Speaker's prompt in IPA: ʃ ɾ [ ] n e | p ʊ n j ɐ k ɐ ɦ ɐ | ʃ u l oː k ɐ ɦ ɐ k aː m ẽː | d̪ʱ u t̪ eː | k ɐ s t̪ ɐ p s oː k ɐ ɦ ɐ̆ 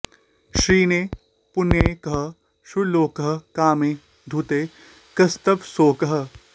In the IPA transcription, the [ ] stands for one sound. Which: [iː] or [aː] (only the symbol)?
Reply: iː